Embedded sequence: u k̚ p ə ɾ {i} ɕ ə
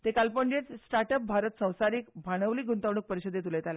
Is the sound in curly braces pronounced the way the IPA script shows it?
yes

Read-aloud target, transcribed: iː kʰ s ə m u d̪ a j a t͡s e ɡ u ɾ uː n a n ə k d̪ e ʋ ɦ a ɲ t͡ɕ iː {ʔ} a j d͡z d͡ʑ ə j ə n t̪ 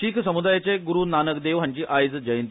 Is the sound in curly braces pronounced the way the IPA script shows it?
yes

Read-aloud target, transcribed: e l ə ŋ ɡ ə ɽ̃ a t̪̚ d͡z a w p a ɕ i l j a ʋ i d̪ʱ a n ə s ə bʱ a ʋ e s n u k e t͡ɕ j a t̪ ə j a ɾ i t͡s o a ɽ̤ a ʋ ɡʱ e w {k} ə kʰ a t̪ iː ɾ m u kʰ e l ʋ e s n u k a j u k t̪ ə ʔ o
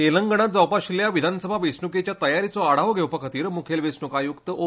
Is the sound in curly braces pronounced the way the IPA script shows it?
no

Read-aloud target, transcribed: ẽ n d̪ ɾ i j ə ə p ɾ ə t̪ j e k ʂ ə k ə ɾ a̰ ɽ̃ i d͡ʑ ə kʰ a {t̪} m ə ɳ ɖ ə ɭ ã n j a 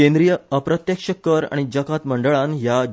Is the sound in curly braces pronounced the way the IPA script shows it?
yes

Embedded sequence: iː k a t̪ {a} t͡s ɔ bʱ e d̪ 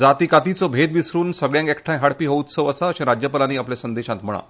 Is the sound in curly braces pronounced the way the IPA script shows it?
no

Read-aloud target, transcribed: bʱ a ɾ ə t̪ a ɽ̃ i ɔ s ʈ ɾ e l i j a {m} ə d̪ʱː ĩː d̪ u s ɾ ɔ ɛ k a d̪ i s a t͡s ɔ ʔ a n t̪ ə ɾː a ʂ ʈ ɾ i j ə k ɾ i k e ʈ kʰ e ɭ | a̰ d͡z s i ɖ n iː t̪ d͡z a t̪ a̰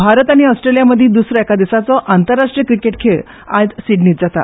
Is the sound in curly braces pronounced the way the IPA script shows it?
yes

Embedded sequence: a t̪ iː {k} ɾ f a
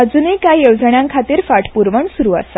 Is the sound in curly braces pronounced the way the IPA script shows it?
no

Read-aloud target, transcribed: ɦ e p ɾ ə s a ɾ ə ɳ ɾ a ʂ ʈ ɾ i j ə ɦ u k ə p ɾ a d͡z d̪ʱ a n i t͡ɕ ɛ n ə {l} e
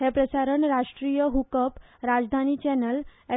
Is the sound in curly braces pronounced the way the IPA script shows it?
yes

